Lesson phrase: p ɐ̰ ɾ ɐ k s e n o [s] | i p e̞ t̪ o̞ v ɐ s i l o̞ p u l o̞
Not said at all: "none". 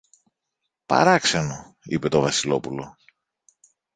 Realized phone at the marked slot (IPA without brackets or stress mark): none